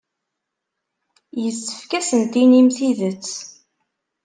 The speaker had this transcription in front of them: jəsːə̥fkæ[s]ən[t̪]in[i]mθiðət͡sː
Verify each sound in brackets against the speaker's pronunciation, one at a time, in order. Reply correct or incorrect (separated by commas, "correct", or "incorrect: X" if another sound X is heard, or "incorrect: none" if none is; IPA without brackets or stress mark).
correct, correct, correct